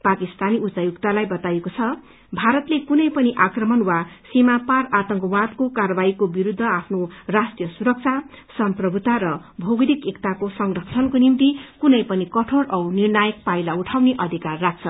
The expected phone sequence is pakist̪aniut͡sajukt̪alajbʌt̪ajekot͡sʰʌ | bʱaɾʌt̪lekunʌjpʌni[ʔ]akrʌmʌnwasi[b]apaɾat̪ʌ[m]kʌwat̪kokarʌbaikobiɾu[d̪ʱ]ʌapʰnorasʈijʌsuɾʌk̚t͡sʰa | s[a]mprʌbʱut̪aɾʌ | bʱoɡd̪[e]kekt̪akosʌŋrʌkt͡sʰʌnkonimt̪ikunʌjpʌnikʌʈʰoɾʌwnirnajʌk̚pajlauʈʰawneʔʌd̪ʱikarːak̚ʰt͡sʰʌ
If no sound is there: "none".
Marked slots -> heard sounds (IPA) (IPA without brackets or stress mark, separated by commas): ʔ, m, ŋ, d̪ʱː, ʌ, i